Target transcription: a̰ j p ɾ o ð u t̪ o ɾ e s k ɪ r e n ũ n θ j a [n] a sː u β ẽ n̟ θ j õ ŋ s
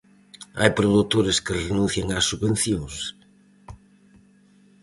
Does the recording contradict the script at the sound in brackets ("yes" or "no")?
yes